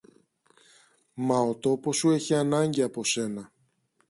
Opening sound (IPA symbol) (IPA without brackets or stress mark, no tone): m